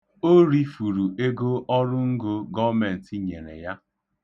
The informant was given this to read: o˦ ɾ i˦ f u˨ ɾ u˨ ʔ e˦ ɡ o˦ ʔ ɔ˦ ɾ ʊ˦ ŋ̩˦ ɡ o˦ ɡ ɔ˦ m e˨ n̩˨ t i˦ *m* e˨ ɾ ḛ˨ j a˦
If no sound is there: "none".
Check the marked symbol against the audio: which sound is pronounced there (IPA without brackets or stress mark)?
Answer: ɲ